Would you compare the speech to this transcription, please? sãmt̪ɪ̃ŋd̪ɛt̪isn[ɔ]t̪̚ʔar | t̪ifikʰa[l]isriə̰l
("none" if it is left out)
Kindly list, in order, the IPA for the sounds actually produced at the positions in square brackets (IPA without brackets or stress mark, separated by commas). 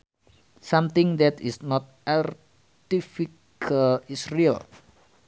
ɔ, l